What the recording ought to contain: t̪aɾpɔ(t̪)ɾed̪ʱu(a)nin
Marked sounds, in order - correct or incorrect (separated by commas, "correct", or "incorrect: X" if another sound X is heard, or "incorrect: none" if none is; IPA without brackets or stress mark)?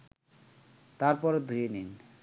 incorrect: none, incorrect: e